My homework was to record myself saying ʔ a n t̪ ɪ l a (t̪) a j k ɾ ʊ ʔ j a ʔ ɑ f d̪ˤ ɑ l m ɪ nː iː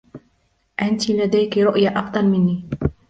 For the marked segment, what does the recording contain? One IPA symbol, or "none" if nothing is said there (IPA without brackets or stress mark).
d̪